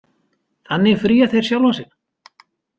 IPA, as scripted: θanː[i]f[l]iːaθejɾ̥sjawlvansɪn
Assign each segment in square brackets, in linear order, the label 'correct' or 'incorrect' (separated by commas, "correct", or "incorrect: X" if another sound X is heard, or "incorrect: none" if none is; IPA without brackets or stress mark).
incorrect: ɪ, incorrect: ɾ